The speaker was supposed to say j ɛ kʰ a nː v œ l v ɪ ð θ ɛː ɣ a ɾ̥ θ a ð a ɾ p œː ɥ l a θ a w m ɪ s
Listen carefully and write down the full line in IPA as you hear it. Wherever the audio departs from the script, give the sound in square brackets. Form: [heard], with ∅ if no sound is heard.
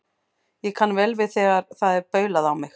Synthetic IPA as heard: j ɛ kʰ a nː v [ɛ] l v ɪ ð θ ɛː ɣ a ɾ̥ θ a ð [ɛ] ɾ p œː ɥ l a [ð] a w m ɪ [x]